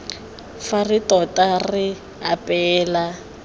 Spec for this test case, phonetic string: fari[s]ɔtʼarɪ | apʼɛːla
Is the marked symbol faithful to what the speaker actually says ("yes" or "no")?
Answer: no